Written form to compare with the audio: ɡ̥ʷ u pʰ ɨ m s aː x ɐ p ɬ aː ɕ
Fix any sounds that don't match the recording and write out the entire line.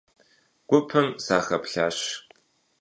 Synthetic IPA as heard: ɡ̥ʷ ʊ pʰ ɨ m s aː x ɐ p ɬ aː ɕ